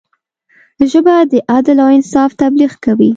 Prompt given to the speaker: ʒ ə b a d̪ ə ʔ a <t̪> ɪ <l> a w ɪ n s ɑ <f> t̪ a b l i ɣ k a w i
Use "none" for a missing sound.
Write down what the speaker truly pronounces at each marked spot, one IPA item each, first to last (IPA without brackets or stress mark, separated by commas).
d̪, l, f